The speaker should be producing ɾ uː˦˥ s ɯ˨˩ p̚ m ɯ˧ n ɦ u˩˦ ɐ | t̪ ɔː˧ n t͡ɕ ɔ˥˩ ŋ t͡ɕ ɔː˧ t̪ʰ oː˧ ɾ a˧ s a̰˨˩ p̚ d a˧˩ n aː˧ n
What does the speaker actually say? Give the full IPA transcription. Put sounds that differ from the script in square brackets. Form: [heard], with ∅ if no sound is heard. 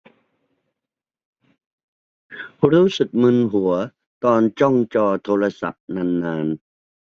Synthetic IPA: ɾ uː˦˥ s ɯ˨˩ [k̚] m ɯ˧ n ɦ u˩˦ ɐ | t̪ ɔː˧ n t͡ɕ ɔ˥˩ ŋ t͡ɕ ɔː˧ t̪ʰ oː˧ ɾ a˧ s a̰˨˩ p̚ [n] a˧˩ [nː] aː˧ n

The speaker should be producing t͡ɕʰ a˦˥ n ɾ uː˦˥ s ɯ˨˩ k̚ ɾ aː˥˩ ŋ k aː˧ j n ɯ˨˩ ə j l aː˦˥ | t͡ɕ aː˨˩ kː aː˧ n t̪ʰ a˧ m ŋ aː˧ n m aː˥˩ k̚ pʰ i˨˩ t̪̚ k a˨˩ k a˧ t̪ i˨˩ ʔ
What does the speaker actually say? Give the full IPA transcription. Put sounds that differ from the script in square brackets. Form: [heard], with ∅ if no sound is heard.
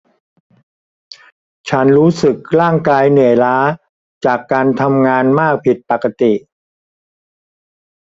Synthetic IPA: t͡ɕʰ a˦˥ n ɾ uː˦˥ s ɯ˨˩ k̚ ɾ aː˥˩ ŋ k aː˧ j n ɯ˨˩ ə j l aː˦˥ | t͡ɕ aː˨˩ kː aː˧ n t̪ʰ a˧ m ŋ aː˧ n m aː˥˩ k̚ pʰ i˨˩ t̪̚ [p] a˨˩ k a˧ t̪ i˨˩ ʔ

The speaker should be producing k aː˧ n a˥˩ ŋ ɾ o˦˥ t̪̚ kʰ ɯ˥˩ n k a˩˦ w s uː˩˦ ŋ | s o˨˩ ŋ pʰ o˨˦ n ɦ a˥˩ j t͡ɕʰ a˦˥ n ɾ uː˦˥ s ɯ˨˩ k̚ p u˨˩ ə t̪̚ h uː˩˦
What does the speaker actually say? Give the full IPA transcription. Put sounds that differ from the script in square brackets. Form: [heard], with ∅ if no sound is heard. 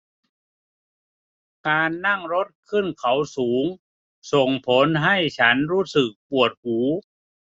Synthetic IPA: k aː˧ [nː] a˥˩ ŋ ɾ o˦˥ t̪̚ kʰ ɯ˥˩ n [kʰ] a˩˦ w s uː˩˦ ŋ | s o˨˩ ŋ pʰ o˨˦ n ɦ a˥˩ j t͡ɕʰ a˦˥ n ɾ uː˦˥ s ɯ˨˩ k̚ p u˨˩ ə t̪̚ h uː˩˦

